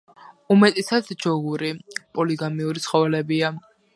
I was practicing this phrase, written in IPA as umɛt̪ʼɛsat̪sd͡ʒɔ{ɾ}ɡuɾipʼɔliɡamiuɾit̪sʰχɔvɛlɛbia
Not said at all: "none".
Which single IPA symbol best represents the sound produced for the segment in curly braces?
none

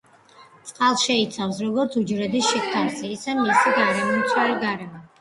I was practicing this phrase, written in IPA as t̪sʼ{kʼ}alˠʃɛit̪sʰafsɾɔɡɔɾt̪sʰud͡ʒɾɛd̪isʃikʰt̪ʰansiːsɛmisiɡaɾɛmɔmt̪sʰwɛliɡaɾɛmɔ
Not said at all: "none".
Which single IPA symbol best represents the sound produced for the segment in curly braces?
qʼ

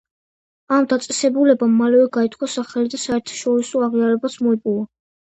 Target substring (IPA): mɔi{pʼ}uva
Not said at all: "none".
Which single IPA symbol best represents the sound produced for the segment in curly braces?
pʼ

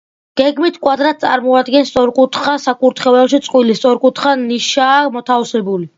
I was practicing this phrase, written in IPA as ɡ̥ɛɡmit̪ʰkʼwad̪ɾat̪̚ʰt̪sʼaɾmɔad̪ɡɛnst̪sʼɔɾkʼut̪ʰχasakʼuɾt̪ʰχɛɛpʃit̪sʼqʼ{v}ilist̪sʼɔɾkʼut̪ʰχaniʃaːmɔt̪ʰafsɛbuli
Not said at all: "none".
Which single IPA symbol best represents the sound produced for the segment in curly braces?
w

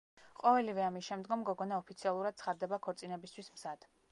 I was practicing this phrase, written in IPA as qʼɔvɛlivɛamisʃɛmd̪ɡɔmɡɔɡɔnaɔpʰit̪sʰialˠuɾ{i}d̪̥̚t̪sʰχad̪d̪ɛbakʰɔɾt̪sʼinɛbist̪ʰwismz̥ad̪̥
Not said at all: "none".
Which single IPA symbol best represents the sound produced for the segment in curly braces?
a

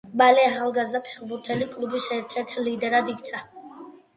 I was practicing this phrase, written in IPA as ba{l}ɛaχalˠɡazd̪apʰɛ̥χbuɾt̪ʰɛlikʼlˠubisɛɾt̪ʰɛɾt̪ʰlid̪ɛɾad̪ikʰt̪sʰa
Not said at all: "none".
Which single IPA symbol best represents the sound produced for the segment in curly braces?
l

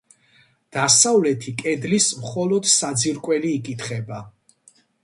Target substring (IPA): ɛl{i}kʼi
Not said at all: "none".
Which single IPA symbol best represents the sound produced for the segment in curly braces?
iː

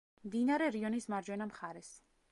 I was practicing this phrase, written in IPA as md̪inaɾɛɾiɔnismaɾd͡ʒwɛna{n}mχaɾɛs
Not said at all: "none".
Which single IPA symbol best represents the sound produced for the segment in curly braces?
none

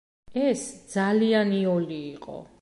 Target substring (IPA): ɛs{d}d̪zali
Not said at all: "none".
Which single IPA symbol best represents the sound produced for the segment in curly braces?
d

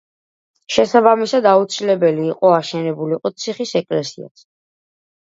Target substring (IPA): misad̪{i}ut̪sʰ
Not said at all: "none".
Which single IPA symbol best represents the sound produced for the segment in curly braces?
a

